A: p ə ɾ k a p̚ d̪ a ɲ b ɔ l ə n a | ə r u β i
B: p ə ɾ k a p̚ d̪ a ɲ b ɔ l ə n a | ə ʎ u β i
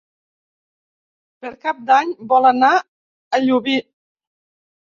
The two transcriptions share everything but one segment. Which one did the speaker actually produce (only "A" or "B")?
B